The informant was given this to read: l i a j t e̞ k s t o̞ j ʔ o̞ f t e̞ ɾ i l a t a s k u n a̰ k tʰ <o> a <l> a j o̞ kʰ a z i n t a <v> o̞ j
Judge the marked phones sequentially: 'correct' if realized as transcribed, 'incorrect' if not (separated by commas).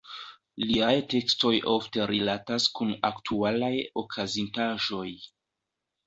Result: incorrect, correct, incorrect